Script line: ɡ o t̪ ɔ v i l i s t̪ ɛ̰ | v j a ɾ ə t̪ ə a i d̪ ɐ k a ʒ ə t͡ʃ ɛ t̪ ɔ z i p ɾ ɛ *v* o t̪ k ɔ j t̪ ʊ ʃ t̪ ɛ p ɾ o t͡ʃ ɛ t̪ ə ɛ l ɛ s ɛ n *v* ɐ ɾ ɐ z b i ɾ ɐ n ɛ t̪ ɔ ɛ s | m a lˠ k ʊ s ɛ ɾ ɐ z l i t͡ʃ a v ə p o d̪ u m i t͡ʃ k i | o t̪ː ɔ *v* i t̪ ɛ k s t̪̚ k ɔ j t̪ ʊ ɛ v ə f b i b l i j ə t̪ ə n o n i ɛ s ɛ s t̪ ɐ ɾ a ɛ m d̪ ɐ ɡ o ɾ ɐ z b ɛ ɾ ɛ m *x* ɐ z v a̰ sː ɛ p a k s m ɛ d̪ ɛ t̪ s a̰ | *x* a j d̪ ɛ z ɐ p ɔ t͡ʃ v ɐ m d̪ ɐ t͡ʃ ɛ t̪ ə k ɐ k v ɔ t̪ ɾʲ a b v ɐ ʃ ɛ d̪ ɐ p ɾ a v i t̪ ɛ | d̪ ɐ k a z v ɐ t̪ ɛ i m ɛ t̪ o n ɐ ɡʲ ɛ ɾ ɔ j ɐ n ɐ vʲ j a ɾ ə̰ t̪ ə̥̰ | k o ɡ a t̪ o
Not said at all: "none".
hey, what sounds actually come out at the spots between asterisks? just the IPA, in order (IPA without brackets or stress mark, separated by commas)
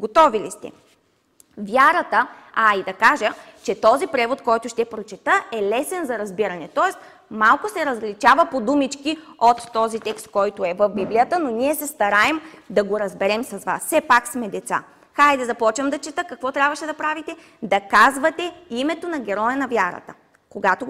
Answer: v, z, z, s, x